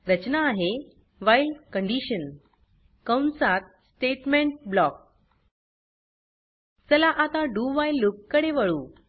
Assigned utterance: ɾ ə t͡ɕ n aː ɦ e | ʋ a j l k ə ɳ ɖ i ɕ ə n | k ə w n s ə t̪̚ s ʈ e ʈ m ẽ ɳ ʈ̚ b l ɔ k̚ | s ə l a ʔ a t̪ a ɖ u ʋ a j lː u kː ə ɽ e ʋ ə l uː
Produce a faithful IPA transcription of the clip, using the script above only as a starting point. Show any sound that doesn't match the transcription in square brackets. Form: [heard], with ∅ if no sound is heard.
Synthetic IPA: ɾ ə t͡ɕ n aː ɦ e | ʋ a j l k ə ɳ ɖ i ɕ ə n | k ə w n s [a] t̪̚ s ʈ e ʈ m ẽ ɳ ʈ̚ b l ɔ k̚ | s ə l a ʔ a t̪ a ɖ u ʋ a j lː u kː ə ɽ e ʋ ə [ɭ] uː